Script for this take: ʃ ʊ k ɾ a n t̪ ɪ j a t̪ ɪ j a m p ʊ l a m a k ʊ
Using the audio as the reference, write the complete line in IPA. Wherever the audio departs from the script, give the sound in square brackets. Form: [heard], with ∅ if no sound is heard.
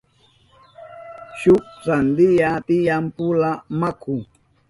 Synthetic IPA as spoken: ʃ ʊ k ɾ a n [d̪] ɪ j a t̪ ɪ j a m p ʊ l a m a k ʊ